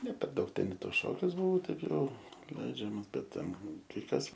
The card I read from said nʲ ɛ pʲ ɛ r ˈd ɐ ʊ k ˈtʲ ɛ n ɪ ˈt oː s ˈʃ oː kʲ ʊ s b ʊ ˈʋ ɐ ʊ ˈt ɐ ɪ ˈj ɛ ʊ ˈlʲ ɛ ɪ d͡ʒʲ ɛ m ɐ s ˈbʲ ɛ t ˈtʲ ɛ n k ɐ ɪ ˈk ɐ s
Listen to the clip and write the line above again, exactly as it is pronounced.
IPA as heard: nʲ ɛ pʲ ɛ r ˈd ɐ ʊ k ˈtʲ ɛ n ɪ ˈt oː s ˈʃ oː kʲ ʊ s b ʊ ˈʋ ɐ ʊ ˈt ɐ ɪ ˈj ɛ ʊ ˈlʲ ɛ ɪ d͡ʒʲ ɛ m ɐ s ˈbʲ ɛ t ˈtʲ ɛ n k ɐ ɪ ˈk ɐ s